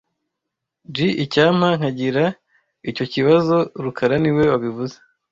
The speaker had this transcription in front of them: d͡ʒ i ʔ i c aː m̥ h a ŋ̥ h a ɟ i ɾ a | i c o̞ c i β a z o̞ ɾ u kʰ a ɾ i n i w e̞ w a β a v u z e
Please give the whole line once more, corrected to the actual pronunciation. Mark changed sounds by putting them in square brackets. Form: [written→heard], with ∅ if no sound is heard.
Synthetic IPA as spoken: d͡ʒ i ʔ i c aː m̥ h a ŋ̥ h a ɟ i ɾ a | i c o̞ c i β a z o̞ ɾ u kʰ a ɾ [i→a] n i w e̞ w a β [a→i] v u z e